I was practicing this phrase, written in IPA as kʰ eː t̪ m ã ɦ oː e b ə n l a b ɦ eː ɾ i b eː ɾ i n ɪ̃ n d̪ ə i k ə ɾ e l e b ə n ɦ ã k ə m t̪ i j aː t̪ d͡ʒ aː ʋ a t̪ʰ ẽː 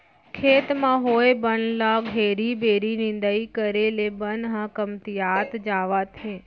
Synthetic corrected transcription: kʰ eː t̪ m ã ɦ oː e b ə n l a ɡ ɦ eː ɾ i b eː ɾ i n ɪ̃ n d̪ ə i k ə ɾ e l e b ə n ɦ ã k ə m t̪ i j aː t̪ d͡ʒ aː ʋ a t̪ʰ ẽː